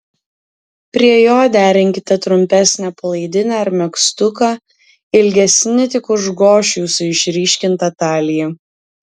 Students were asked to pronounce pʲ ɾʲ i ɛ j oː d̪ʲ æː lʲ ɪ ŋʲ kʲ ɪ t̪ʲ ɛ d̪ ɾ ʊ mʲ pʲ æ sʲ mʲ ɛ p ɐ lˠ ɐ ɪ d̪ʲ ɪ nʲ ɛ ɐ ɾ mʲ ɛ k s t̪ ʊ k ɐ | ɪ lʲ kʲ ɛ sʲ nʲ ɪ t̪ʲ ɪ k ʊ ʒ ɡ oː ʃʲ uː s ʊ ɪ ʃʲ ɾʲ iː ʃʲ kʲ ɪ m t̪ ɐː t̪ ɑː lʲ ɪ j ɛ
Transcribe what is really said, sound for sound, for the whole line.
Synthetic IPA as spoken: pʲ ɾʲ i ɛ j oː d̪ʲ æː ɾʲ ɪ ŋʲ kʲ ɪ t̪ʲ ɛ t̪ ɾ ʊ mʲ pʲ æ sʲ nʲ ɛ p ɐ lˠ ɐ ɪ d̪ʲ ɪ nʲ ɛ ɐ ɾ mʲ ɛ k s t̪ ʊ k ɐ | ɪ lʲ ɡʲ ɛ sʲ nʲ ɪ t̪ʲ ɪ k ʊ ʒ ɡ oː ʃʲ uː s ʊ ɪ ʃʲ ɾʲ iː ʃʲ kʲ ɪ n t̪ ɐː t̪ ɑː lʲ ɪ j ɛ